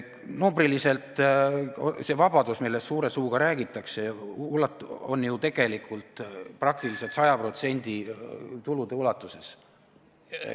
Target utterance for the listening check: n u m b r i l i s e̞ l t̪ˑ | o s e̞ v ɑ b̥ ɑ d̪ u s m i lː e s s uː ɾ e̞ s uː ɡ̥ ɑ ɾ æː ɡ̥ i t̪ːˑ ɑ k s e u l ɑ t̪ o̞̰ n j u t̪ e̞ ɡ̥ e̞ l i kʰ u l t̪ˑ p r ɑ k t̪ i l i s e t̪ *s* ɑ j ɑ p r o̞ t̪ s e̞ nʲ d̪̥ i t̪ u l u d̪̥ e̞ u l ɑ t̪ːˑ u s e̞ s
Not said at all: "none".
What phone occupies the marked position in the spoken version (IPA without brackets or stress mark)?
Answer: s